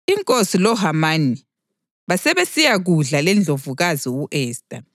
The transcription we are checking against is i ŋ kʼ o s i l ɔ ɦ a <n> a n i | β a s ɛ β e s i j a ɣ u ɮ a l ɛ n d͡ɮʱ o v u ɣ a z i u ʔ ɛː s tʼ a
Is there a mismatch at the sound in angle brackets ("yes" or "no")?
yes